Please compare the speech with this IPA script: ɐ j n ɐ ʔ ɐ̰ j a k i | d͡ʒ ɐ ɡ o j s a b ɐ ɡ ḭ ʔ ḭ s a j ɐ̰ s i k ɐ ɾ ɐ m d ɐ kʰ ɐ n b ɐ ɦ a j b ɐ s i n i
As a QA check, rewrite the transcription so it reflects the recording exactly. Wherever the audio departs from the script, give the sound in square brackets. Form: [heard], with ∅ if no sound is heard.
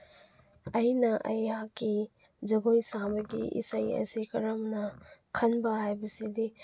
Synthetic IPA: ɐ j n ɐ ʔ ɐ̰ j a k i | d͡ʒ ɐ ɡ o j s a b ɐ ɡ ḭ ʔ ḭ s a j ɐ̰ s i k ɐ ɾ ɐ m [n] ɐ kʰ ɐ n b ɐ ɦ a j b ɐ s i [d] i